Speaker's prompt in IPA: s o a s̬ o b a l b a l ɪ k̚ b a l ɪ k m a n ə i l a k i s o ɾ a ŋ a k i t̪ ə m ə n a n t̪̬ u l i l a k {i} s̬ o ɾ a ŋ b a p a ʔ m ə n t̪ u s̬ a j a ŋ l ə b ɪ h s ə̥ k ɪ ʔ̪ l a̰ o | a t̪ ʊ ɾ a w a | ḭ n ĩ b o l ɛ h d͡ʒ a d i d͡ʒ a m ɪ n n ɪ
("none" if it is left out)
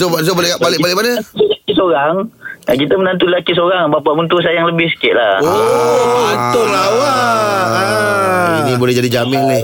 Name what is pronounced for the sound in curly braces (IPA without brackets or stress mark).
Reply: i